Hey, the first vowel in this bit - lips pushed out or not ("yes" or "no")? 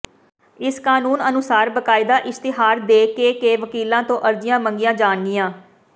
no